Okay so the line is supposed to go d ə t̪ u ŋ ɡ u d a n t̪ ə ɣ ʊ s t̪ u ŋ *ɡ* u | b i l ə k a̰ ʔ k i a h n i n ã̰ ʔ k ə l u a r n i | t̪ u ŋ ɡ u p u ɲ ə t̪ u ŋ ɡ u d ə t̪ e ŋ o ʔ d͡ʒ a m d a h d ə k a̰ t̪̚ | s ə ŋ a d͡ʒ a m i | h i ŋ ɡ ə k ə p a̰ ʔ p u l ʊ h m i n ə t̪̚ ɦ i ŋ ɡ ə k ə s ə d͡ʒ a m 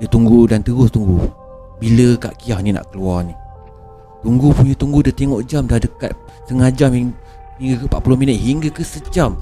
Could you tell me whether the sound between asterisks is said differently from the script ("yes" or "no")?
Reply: no